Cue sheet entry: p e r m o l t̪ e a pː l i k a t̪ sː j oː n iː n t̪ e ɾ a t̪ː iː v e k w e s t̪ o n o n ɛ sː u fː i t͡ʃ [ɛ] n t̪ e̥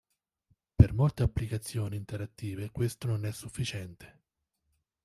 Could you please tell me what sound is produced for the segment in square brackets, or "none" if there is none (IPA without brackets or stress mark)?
ɛ